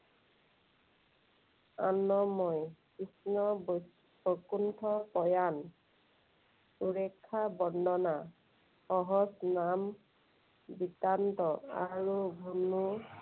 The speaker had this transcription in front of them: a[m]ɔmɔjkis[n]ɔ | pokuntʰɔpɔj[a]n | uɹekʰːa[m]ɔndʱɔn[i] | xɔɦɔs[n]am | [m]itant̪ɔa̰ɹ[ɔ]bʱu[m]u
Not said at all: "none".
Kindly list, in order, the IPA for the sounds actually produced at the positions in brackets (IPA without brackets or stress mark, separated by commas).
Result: n, n, a, b, a, n, b, u, n